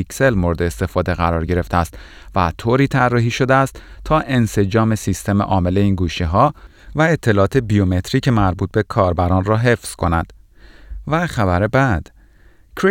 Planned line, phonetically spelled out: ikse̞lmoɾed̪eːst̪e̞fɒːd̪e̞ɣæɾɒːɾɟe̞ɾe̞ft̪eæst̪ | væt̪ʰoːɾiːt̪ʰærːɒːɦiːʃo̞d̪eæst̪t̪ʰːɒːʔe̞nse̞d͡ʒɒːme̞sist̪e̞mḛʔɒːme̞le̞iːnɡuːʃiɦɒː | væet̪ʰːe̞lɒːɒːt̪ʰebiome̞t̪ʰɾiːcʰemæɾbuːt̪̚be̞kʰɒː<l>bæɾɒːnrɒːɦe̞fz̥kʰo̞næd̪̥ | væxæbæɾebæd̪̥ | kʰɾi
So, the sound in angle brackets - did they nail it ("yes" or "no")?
no